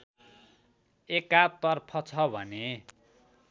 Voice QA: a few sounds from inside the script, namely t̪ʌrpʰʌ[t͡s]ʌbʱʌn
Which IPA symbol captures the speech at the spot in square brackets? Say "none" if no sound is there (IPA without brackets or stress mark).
t͡sʰ